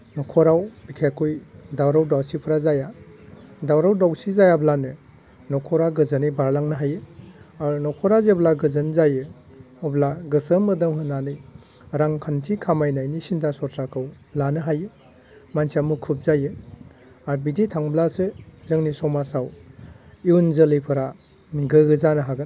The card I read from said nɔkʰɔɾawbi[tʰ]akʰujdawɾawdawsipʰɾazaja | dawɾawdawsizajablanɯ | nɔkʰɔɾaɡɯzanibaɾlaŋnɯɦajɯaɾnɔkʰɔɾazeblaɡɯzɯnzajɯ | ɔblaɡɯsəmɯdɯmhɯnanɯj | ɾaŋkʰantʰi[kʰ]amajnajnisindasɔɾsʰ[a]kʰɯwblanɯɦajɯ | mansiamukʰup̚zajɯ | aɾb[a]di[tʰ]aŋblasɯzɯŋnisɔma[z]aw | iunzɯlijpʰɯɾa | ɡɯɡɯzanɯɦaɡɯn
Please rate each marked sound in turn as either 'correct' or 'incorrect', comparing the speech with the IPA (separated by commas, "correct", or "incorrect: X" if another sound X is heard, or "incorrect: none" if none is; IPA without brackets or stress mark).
incorrect: kʰ, correct, correct, incorrect: i, correct, incorrect: s